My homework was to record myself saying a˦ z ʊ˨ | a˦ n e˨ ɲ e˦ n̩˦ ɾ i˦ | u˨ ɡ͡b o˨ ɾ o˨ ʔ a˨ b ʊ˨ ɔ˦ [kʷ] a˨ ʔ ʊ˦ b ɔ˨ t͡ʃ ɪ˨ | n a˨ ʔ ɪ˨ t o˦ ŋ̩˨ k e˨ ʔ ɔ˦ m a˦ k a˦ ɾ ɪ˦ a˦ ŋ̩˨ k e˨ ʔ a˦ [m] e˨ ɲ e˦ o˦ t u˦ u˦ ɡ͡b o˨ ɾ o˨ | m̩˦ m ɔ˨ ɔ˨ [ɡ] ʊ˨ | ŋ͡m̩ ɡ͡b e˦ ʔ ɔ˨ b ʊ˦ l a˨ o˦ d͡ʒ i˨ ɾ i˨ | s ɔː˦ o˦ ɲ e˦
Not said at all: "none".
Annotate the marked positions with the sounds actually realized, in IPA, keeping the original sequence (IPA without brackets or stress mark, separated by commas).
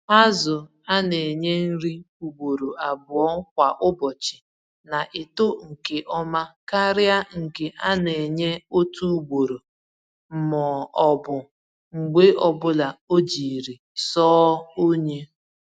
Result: kʷ, n, b